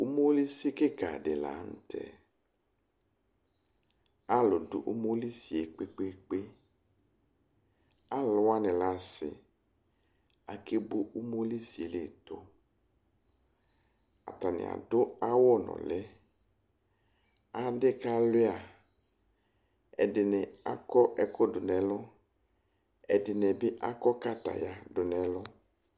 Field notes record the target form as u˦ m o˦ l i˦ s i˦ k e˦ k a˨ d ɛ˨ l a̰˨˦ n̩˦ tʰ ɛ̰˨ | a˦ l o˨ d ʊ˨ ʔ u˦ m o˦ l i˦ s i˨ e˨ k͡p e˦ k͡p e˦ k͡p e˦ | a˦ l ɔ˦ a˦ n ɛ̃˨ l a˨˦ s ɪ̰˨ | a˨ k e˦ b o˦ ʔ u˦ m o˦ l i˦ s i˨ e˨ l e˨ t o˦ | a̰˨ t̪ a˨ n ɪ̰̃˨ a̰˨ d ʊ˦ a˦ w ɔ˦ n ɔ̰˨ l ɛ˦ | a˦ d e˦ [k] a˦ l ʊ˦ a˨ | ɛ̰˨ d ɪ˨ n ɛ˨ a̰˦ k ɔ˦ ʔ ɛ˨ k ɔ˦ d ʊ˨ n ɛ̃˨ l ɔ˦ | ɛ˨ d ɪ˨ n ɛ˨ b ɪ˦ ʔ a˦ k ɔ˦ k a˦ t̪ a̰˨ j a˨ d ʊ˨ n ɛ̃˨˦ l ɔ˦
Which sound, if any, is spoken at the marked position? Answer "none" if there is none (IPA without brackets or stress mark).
k